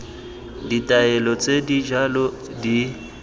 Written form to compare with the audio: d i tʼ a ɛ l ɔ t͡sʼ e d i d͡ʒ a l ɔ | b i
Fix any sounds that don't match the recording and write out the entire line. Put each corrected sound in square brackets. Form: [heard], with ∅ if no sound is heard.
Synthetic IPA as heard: d i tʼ a ɛ l ɔ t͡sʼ e d i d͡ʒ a l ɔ | [d] i